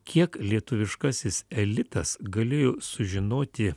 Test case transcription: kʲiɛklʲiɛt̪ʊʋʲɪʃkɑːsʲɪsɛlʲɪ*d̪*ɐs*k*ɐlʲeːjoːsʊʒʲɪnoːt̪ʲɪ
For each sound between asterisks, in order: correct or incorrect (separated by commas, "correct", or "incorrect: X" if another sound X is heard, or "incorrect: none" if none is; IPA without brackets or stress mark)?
incorrect: t̪, incorrect: ɡ